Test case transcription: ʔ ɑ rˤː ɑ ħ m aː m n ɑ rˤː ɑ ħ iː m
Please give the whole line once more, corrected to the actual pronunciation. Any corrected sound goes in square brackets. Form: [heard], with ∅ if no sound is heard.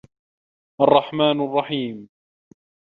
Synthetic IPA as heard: ʔ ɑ rˤː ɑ ħ m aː [∅] n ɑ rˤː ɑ ħ iː m